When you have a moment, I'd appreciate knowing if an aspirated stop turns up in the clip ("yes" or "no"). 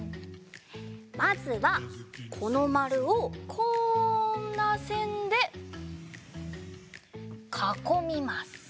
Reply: yes